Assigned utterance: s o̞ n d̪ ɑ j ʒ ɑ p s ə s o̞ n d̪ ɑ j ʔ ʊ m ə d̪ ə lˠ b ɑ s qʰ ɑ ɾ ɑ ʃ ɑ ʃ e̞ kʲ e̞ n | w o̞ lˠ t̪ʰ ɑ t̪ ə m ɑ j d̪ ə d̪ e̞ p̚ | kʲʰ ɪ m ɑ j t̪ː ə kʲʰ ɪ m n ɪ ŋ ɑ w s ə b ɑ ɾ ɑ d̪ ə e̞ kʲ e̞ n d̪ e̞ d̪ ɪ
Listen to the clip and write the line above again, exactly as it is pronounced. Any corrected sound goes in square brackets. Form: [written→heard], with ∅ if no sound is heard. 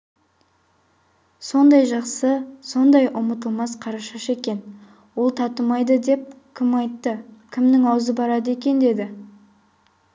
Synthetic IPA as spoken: s o̞ n d̪ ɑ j ʒ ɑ [p→q] s ə s o̞ n d̪ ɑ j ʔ ʊ m ə [d̪→t̪] ə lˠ [b→m] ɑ s qʰ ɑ ɾ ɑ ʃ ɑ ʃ e̞ kʲ e̞ n | w o̞ lˠ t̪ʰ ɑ t̪ ə m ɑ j d̪ ə d̪ e̞ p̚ | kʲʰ ɪ m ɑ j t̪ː ə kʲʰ ɪ m n ɪ ŋ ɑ w [s→z] ə b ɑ ɾ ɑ d̪ ə e̞ kʲ e̞ n d̪ e̞ d̪ ɪ